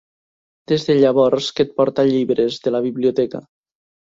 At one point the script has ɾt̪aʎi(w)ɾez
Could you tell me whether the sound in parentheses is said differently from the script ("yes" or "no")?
yes